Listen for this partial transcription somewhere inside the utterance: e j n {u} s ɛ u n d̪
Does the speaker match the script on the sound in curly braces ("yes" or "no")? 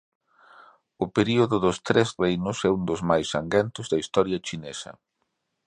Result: no